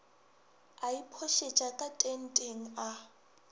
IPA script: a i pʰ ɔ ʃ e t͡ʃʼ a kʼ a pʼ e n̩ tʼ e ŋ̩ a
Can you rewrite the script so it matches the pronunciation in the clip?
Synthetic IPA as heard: a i pʰ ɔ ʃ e t͡ʃʼ a kʼ a tʼ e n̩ tʼ e ŋ̩ a